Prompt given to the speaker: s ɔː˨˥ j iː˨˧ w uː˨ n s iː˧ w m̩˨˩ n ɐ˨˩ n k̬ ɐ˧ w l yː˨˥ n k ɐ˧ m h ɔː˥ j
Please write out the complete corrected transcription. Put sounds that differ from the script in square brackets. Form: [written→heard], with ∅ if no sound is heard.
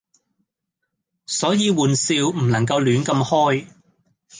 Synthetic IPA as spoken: s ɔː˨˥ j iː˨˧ w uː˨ n s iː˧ w m̩˨˩ n ɐ˨˩ [n→ŋ] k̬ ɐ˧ w l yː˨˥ n k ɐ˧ m h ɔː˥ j